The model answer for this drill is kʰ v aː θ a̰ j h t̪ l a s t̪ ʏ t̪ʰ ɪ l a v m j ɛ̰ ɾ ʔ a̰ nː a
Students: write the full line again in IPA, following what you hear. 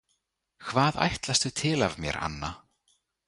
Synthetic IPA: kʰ v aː ð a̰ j h t̪ l a s t̪ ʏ t̪ʰ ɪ l a v m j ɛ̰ ɾ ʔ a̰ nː a